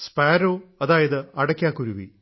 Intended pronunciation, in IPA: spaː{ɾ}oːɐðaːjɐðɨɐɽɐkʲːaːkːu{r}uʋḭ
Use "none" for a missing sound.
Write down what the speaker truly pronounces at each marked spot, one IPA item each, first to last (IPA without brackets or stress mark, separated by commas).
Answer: ɾ, ɾ